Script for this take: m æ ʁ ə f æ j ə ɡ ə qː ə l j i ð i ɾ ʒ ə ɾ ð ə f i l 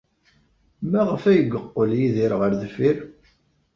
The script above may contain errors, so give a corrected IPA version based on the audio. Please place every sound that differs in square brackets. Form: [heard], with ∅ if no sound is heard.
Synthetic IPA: m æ ʁ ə f æ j ə ɡ ə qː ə l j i ð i ɾ [ʁ] ə ɾ ð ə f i [ɾ]